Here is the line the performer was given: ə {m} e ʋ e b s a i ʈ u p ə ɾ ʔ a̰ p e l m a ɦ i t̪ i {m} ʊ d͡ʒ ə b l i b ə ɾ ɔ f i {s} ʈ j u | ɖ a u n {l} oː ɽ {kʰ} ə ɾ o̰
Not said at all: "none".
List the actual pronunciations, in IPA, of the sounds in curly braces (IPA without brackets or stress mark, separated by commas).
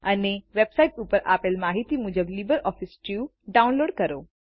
n, m, s, l, k